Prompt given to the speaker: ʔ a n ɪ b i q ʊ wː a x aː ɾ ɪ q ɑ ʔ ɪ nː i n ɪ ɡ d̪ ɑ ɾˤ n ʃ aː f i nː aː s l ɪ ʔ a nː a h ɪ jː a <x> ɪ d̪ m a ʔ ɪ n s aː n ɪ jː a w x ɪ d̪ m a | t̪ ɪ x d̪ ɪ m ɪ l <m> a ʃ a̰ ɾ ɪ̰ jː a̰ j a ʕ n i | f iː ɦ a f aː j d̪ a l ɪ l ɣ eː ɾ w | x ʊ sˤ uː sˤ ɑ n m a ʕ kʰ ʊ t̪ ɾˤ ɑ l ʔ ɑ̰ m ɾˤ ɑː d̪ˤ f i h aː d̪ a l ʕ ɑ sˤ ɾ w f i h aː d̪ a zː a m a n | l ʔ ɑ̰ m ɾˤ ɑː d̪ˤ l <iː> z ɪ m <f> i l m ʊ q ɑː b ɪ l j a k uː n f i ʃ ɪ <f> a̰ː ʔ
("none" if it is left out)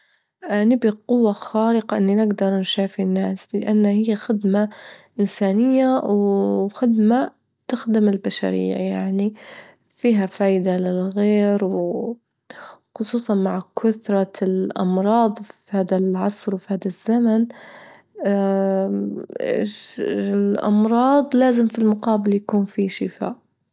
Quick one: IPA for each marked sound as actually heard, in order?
x, b, aː, f, f

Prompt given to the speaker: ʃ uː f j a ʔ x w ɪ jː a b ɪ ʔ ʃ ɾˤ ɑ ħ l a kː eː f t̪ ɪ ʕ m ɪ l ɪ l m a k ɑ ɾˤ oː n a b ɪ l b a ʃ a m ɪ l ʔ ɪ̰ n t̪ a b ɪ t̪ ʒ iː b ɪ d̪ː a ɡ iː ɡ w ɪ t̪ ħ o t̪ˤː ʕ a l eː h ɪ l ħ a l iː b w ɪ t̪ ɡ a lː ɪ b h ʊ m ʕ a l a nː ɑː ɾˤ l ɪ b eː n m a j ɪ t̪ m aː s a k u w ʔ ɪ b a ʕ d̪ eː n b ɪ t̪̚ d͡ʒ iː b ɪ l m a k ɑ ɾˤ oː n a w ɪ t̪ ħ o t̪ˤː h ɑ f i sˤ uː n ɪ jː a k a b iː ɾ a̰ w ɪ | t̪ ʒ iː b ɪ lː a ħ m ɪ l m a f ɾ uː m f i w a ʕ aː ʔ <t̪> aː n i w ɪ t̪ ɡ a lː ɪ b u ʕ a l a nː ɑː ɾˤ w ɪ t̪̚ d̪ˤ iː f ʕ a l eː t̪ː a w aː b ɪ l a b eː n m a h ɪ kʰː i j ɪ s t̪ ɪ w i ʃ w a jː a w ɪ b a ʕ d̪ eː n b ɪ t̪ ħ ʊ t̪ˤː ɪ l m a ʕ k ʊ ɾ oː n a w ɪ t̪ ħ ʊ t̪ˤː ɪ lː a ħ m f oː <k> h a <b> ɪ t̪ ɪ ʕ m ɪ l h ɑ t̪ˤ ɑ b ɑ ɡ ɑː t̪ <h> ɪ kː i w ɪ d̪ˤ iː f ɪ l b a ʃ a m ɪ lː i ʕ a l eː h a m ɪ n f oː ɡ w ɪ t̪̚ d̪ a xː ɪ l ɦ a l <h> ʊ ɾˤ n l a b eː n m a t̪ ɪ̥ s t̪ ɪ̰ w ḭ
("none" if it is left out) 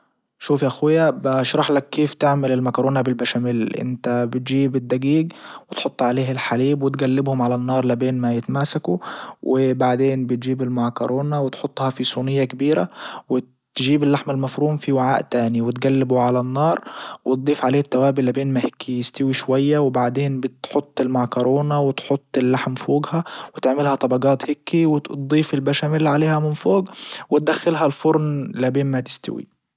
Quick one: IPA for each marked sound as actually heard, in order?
t̪, ɡ, w, h, f

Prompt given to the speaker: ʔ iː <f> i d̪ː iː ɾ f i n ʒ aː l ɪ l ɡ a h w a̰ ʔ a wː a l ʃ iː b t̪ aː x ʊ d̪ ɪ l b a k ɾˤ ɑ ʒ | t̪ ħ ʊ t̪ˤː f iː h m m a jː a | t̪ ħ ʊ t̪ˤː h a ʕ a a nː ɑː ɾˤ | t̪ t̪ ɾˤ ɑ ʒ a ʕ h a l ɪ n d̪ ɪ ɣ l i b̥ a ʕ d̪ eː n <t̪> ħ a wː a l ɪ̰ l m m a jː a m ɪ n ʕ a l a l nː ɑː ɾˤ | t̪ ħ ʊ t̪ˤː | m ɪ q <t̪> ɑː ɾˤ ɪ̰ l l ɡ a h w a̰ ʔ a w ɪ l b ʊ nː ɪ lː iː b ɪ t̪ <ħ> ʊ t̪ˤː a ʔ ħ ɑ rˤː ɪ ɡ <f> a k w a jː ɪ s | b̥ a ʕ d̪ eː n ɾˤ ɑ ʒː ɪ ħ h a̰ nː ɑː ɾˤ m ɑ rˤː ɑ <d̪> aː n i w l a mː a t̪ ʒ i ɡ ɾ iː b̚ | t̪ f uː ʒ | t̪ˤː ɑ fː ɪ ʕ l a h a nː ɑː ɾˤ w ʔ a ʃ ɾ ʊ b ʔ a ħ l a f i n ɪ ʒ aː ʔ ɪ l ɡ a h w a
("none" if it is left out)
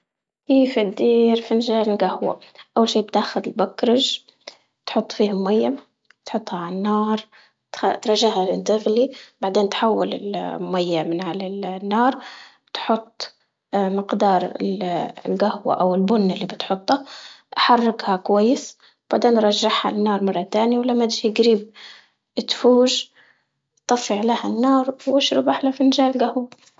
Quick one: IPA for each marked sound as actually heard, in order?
f, t̪, d̪, ħ, h, t̪

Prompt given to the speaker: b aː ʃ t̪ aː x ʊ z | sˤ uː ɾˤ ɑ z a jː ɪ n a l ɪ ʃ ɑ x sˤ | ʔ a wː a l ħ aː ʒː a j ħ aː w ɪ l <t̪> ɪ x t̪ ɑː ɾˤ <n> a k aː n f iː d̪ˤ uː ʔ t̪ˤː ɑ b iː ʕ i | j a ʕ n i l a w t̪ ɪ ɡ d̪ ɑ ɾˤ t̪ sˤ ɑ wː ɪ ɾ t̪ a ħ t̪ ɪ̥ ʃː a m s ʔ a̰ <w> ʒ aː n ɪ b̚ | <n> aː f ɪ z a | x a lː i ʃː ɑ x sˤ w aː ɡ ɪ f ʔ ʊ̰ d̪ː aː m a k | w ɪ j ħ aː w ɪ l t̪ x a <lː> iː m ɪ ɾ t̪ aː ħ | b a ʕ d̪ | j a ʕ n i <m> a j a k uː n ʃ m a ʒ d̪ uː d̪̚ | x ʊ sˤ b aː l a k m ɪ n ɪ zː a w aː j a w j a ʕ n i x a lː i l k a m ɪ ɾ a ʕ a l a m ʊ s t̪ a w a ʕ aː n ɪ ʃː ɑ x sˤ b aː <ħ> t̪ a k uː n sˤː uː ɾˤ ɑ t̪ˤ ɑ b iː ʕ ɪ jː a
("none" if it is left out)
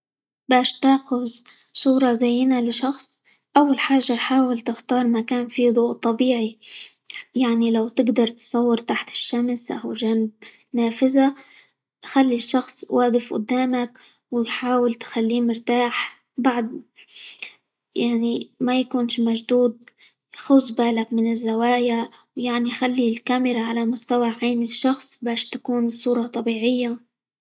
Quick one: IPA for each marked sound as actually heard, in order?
t̪, m, w, n, lː, m, ʃ

